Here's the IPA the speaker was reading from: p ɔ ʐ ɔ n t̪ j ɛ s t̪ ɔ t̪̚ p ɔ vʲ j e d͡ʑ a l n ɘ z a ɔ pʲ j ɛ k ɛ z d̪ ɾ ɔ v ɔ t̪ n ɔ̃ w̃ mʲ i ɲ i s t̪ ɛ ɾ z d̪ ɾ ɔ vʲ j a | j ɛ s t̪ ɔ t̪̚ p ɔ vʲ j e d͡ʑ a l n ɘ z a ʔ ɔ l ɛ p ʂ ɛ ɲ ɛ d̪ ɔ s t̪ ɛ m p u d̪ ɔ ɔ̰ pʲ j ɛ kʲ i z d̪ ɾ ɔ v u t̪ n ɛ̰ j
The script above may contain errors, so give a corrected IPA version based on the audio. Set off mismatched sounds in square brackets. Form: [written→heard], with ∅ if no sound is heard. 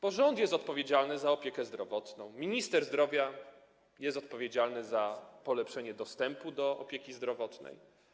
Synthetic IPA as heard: p ɔ ʐ ɔ n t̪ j ɛ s t̪ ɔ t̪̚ p ɔ vʲ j e d͡ʑ a l n ɘ z a ɔ pʲ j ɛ k ɛ z d̪ ɾ ɔ v ɔ t̪ n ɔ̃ w̃ mʲ i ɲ i s t̪ ɛ ɾ z d̪ ɾ ɔ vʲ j a | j ɛ s t̪ ɔ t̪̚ p ɔ vʲ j e d͡ʑ a l n ɘ z a [ʔ→p] ɔ l ɛ p ʂ ɛ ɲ ɛ d̪ ɔ s t̪ ɛ m p u d̪ ɔ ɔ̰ pʲ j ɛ kʲ i z d̪ ɾ ɔ v [u→ɔ] t̪ n ɛ̰ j